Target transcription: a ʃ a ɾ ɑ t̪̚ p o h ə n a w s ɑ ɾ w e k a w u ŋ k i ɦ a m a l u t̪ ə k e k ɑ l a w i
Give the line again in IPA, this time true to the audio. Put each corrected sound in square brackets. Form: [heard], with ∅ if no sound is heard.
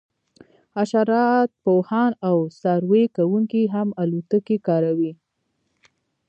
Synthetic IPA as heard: a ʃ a ɾ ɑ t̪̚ p o h [ɑ] n a w s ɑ ɾ w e k a w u ŋ k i ɦ a m a l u t̪ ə k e k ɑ [ɾ] a w i